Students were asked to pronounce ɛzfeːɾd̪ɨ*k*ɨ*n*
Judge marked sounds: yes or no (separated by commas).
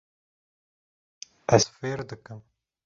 yes, no